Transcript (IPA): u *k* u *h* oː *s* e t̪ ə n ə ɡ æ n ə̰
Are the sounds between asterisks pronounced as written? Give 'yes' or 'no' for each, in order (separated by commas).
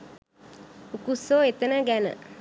yes, no, no